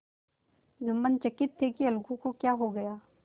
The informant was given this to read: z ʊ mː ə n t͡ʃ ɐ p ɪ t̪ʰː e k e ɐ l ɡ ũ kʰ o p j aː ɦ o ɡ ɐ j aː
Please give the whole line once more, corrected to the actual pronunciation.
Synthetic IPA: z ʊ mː ə n t͡ʃ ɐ k ɪ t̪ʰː e k i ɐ l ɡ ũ k o k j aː ɦ o ɡ ɐ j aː